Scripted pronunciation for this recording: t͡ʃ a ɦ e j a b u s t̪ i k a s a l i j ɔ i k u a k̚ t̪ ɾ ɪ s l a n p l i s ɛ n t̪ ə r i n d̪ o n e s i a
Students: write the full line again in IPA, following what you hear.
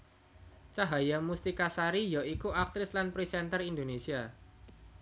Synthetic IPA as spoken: t͡ʃ a ɦ a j a m u s t̪ i k a s a ɾ i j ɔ i k u a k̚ t̪ ɾ ɪ s l a n p ɾ i s ɛ n t̪ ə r i n d̪ o n e s i a